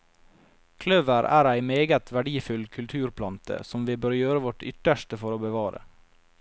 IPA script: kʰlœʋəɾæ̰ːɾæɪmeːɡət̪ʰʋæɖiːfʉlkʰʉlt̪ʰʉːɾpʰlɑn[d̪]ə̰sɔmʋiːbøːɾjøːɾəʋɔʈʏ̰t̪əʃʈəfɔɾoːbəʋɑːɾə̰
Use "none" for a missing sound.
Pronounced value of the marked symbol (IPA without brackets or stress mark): t̪